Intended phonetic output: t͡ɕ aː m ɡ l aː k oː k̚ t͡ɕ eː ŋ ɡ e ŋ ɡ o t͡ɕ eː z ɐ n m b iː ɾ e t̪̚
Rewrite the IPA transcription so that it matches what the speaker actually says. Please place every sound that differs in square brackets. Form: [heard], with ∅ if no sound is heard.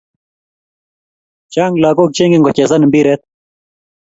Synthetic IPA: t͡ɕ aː [ŋ] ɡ l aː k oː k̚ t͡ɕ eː ŋ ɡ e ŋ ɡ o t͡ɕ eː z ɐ n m b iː ɾ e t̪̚

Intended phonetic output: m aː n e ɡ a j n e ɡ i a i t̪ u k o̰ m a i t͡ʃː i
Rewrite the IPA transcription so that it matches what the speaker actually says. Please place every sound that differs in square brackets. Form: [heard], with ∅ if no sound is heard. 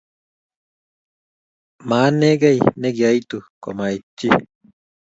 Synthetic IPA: m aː n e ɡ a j n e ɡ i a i t̪ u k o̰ m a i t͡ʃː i

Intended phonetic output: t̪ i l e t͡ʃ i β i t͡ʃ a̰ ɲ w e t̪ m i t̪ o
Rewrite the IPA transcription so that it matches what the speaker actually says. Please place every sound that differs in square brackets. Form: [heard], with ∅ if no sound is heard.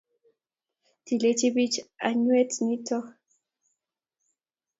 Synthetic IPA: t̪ i l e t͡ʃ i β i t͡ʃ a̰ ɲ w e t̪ [n] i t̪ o

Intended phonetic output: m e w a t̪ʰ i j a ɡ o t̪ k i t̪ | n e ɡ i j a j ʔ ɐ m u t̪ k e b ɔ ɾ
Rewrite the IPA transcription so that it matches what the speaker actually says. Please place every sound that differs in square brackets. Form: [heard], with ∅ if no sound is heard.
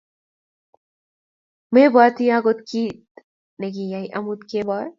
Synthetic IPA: m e [b] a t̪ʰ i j a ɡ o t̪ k i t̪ | n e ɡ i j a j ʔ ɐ m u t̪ k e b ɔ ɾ

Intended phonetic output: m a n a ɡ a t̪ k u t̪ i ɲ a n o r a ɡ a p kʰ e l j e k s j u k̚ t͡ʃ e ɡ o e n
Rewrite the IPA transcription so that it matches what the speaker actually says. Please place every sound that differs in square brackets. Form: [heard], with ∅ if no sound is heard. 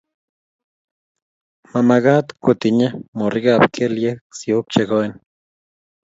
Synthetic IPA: m a [m] a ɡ a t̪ k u t̪ i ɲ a [m] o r [i] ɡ a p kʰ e l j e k s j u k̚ t͡ʃ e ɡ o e n

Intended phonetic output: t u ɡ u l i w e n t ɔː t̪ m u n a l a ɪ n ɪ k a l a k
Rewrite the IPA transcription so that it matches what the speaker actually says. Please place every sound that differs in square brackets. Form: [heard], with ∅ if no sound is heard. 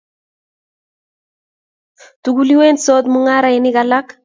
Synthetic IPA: t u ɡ u l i w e n [s] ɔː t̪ m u [ŋ] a [ɾ] a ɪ n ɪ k a l a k

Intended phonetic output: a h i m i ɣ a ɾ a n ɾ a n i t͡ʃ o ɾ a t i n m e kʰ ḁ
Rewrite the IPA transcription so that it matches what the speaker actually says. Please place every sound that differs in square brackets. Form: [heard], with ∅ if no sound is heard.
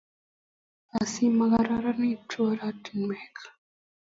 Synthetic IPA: a [s] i m [a] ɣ a ɾ a [∅] ɾ a n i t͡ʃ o ɾ a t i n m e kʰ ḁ

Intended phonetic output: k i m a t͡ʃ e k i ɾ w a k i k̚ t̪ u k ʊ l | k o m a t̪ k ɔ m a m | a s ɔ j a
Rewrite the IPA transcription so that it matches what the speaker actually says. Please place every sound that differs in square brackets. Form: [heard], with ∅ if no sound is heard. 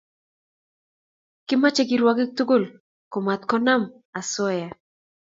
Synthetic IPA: k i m a t͡ʃ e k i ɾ w a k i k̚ t̪ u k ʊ l | k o m a t̪ k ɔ [n] a m | a s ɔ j a

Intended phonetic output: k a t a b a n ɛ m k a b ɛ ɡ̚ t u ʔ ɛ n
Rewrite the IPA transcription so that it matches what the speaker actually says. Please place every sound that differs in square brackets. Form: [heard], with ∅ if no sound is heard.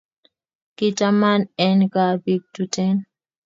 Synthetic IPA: k [i] t a [m] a n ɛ [n] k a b [i] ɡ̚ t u [t] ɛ n

